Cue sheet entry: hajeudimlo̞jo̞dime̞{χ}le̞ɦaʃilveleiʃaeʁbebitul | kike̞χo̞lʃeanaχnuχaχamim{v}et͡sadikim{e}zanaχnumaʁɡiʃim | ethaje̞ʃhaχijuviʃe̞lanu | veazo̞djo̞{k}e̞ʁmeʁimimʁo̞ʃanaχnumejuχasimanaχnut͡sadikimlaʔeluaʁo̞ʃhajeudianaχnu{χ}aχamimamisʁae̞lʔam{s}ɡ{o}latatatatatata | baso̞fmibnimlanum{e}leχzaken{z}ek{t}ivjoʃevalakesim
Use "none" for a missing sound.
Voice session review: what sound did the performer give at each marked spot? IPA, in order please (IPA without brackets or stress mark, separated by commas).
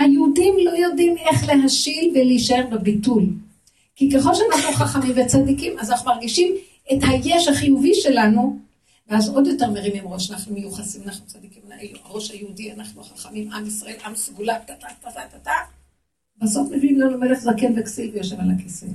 χ, v, a, t, χ, s, u, e, v, s